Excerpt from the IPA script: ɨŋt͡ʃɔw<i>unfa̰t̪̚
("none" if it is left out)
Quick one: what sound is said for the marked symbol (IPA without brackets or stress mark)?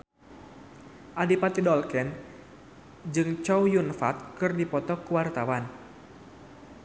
j